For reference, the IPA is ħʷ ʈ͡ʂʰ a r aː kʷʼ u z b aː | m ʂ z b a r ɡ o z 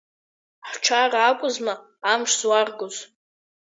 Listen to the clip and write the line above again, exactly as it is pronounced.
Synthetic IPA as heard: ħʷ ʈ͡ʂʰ a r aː kʷʼ ʊ z m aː | m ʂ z w a r ɡ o z